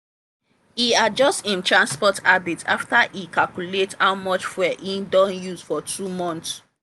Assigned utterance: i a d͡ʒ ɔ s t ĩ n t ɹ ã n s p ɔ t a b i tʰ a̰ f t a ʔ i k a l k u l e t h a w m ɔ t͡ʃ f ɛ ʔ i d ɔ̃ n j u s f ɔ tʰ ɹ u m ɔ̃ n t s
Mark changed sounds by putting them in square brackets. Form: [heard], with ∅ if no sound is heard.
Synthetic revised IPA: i a d͡ʒ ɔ s t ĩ n t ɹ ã n s p ɔ t a b i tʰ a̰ f t a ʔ i k a l k u l e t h a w m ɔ t͡ʃ f ɛ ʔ i d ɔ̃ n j u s f ɔ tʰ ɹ u m ɔ̃ n t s